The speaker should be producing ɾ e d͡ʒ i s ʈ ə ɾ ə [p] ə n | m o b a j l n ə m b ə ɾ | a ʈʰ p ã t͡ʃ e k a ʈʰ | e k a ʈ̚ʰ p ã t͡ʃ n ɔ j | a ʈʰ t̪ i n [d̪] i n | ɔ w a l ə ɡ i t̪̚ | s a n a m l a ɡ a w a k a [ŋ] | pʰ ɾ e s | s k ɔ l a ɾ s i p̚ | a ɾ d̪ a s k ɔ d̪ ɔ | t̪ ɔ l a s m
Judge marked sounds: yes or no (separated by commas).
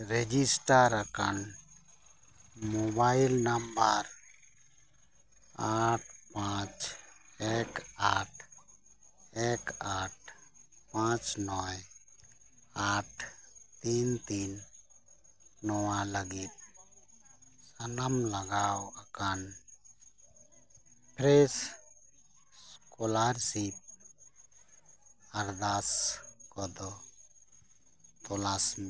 no, no, no